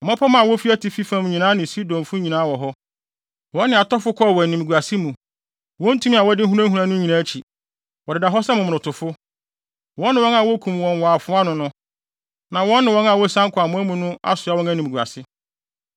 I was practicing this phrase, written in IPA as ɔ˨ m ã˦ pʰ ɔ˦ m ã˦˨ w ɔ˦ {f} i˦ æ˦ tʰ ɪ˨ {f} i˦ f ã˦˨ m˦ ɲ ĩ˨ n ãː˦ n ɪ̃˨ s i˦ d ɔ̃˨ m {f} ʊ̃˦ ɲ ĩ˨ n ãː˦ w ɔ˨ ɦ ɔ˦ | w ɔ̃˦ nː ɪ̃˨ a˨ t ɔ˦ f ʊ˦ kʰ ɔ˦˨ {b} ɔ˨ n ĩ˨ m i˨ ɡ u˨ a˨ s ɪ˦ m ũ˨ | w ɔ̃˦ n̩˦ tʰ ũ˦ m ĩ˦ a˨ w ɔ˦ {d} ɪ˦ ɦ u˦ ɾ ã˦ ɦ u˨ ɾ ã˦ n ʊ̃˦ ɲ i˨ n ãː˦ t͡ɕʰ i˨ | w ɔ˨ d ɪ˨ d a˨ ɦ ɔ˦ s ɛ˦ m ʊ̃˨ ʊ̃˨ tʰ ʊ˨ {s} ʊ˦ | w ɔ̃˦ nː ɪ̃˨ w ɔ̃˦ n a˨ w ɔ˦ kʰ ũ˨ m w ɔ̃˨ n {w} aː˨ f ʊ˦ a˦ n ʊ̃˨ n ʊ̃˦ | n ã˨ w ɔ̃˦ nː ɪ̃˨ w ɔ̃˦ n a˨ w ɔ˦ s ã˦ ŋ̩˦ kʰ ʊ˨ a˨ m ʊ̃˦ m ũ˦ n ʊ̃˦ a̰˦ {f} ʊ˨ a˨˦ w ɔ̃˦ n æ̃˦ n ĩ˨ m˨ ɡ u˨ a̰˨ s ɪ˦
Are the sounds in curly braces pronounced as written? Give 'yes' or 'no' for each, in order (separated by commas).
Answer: yes, yes, yes, no, yes, no, yes, no